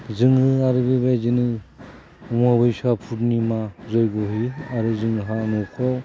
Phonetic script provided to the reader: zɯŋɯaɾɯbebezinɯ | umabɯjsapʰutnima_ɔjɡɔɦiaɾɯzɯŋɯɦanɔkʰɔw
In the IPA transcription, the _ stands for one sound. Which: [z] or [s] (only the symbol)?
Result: z